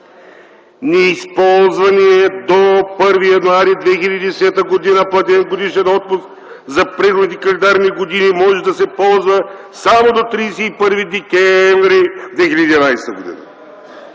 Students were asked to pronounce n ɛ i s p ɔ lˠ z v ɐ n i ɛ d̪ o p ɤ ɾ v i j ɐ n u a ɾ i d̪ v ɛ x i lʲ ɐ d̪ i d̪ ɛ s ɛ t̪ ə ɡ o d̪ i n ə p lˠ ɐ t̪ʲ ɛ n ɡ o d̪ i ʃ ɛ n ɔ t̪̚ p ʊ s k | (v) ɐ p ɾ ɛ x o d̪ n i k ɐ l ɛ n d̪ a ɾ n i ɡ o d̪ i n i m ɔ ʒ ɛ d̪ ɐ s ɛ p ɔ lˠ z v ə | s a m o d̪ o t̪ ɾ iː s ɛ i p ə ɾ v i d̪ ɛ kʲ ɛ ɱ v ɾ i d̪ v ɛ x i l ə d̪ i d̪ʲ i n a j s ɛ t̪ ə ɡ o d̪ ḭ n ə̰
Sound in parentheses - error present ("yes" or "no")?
yes